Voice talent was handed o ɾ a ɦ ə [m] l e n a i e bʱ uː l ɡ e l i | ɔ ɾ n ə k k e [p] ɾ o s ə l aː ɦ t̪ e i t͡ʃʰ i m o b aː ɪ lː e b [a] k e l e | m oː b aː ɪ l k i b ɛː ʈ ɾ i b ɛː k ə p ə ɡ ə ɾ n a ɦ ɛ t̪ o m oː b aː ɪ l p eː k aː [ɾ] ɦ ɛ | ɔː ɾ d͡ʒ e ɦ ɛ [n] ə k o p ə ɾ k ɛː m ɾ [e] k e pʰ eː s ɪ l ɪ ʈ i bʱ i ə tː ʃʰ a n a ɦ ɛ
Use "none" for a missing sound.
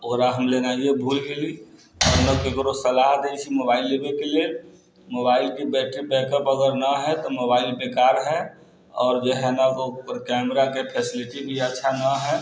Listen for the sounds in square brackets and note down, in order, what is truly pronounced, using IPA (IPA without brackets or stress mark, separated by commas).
m, k, e, ɾ, n, a